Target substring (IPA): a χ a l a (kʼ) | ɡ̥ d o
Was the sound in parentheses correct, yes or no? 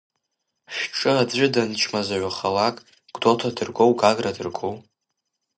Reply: yes